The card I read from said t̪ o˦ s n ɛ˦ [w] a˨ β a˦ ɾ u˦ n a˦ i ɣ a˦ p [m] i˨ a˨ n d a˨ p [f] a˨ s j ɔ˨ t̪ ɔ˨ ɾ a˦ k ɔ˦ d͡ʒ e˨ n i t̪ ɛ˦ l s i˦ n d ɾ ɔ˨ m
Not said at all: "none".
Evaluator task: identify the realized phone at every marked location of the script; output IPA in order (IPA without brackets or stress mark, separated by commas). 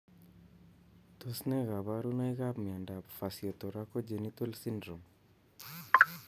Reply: ɣ, m, f